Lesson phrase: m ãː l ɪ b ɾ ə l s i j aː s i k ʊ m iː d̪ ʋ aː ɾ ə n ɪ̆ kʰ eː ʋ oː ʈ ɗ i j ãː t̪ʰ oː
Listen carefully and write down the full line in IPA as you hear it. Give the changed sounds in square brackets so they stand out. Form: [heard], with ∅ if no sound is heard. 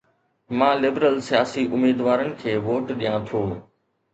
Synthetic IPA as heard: m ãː l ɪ b ɾ ə l s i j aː s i [ʔ] ʊ m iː d̪ ʋ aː ɾ ə n ɪ̆ kʰ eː ʋ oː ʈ ɗ i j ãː t̪ʰ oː